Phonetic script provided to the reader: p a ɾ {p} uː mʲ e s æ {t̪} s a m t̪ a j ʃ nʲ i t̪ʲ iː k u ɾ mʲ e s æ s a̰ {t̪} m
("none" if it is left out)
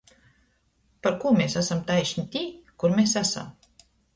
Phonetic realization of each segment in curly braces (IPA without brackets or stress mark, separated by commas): k, none, none